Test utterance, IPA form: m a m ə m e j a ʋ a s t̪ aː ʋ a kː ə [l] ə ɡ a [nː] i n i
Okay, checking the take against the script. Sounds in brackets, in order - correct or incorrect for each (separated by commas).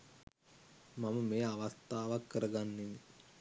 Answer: incorrect, correct